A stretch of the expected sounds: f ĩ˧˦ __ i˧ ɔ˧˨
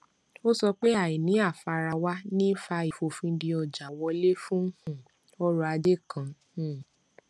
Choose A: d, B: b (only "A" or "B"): A